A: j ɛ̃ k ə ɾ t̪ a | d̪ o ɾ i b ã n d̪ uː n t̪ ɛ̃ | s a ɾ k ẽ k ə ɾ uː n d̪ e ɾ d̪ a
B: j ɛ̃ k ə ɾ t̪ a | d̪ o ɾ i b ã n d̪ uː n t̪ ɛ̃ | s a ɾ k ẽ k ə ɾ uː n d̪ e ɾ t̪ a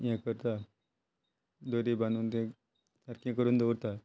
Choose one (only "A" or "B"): B